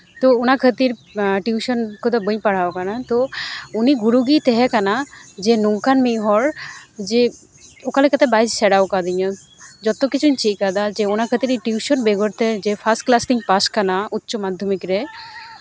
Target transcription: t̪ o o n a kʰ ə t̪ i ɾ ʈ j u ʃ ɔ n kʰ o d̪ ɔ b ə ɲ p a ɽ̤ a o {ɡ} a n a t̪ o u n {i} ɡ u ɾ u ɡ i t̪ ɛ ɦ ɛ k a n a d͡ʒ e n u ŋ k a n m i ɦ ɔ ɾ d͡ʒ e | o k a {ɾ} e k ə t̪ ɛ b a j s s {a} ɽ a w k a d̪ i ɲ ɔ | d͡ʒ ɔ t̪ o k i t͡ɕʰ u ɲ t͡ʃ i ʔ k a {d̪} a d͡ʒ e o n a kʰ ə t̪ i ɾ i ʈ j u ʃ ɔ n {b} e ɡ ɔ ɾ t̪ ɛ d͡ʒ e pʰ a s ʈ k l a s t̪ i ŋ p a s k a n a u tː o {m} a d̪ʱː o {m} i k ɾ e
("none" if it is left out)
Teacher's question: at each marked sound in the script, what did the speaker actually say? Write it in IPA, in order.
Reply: k, i, l, ɛ, d̪, b, m, m

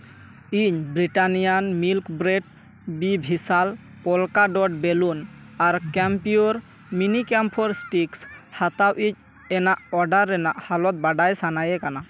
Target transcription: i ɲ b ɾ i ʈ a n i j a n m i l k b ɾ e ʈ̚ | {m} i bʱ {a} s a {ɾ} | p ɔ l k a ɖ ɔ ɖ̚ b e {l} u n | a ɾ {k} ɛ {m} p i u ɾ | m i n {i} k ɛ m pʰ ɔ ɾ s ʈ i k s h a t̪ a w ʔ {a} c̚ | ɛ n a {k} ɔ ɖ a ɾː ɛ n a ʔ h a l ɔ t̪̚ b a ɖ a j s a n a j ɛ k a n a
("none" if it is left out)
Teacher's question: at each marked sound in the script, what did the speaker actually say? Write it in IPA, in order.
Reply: b, i, l, l, k, m, i, i, ʔ

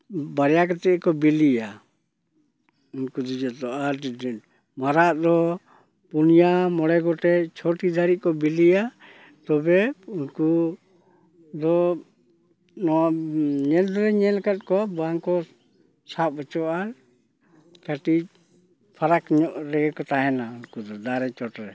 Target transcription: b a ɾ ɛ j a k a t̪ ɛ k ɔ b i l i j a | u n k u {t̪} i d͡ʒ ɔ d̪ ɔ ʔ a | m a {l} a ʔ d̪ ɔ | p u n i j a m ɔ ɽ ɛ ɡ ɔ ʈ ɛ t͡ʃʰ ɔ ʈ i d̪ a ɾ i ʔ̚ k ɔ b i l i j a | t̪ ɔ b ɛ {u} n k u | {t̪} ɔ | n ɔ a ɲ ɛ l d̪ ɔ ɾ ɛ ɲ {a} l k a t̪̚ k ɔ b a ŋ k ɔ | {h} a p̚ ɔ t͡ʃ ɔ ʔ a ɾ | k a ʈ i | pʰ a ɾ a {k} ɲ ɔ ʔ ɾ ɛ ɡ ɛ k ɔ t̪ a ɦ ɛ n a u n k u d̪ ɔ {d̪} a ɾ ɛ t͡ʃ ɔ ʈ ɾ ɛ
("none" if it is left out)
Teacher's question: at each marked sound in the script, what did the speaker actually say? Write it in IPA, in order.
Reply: d̪, ɾ, u, d̪, ɛ, s, k, d̪

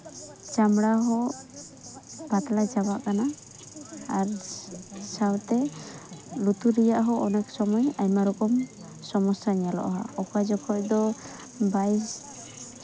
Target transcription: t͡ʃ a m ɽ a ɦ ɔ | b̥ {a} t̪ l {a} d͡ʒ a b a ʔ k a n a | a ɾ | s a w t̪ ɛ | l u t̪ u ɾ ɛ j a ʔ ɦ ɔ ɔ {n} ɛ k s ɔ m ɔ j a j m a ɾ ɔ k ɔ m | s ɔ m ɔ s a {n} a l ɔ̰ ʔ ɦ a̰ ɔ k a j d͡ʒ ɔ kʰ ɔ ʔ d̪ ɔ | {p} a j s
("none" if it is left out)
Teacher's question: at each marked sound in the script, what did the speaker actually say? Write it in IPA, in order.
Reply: a, a, n, ɲ, b

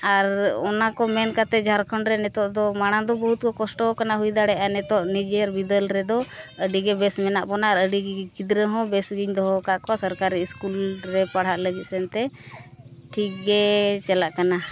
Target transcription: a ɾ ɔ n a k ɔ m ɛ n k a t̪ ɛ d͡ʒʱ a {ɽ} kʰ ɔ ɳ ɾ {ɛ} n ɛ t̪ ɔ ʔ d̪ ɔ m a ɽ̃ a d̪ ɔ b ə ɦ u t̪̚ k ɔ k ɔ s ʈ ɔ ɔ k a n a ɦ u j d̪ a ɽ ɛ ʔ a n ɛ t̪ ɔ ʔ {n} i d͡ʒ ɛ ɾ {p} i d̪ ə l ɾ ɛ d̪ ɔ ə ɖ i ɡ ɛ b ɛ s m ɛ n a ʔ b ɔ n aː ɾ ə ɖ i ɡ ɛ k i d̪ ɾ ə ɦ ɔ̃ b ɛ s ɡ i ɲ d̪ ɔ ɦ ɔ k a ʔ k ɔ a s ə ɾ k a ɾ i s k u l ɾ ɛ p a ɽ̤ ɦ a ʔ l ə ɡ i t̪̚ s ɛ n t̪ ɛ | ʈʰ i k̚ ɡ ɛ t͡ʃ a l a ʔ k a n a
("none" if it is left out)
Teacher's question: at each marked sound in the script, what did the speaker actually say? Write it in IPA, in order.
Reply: ɾ, ɛ, n, b

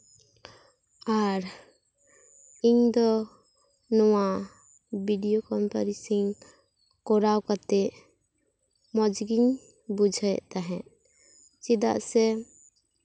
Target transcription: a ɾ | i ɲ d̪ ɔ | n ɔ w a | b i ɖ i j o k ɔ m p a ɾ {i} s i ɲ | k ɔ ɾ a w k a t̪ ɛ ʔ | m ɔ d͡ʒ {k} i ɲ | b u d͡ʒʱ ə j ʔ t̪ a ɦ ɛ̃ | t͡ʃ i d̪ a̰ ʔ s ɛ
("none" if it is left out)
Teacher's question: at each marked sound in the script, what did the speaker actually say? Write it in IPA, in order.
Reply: i, ɡ

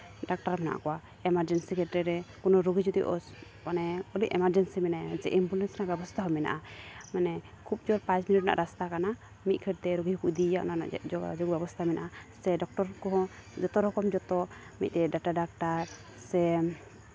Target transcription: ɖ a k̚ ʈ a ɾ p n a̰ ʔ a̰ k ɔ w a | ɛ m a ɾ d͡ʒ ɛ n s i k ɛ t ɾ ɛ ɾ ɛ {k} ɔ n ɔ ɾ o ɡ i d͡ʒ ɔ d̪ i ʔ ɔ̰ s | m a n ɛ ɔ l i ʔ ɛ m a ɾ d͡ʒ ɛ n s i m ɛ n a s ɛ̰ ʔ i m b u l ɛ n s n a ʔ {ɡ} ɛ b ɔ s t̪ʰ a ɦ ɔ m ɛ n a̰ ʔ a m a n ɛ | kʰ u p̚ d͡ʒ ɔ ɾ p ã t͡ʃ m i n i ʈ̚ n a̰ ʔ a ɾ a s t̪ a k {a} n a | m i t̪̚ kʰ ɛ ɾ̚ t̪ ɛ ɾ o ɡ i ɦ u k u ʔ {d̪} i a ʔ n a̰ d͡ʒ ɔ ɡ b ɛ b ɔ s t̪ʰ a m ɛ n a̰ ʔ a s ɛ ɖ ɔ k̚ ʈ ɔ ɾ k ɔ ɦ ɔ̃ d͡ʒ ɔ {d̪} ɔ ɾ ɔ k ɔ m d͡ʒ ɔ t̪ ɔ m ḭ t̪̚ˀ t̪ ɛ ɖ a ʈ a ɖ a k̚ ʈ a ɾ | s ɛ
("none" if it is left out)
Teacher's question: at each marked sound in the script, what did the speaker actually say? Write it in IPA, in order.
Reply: k, b, a, d̪, t̪

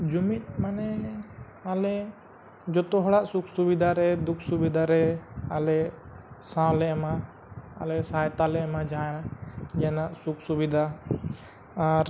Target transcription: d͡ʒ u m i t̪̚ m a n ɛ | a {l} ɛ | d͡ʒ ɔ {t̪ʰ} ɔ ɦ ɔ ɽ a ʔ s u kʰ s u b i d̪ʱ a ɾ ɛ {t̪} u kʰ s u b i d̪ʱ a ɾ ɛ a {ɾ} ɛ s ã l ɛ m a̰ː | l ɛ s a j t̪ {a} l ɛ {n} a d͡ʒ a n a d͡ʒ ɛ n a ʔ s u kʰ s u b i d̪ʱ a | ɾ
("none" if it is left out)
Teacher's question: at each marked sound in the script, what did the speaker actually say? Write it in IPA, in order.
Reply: l, t̪, d̪, l, a, m

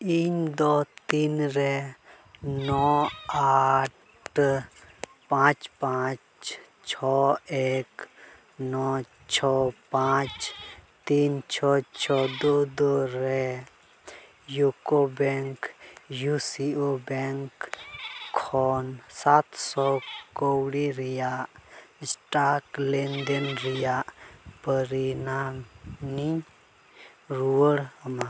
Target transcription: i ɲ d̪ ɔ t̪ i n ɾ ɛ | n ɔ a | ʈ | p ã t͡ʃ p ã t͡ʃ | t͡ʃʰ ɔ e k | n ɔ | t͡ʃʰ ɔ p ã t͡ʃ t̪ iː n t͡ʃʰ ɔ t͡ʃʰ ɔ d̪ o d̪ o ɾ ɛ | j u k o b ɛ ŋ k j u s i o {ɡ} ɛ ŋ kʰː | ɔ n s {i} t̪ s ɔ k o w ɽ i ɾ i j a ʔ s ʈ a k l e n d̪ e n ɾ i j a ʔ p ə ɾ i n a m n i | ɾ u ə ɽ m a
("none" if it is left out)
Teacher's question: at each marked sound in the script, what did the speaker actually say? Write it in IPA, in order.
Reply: b, a

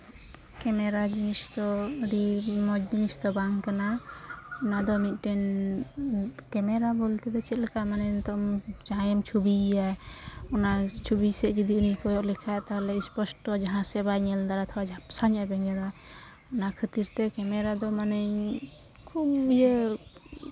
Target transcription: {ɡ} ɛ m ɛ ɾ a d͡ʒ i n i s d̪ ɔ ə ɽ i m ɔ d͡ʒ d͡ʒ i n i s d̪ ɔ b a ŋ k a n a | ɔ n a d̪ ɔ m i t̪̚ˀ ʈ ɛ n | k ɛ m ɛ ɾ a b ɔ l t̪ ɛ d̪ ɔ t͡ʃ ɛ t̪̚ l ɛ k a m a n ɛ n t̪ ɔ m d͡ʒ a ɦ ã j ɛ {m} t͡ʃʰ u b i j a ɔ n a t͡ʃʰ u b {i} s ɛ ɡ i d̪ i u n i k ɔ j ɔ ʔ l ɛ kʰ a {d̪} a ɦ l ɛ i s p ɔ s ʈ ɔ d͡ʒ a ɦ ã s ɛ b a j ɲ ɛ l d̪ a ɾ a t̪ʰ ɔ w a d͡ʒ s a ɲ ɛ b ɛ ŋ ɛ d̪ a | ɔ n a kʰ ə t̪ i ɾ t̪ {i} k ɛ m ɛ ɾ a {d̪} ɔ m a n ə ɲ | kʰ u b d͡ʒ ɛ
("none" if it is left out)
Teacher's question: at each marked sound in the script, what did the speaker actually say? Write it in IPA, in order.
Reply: k, m, i, t̪, ɛ, d̪

